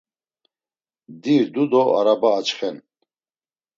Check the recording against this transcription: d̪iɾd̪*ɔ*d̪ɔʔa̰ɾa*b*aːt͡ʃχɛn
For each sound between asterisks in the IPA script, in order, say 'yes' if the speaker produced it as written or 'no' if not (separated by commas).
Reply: no, yes